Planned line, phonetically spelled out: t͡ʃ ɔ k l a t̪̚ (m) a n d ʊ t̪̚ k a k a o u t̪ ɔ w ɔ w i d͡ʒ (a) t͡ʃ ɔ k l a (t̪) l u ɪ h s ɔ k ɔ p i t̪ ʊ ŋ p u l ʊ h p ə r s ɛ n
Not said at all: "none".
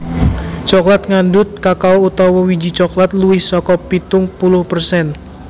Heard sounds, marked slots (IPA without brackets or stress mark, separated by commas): ŋ, i, t̪